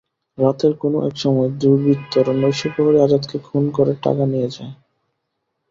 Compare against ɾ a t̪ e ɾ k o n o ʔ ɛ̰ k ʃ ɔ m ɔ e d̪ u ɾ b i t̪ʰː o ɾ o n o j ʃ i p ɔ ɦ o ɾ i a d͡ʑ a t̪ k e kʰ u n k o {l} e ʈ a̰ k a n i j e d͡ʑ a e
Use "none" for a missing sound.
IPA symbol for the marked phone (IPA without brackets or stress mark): ɾ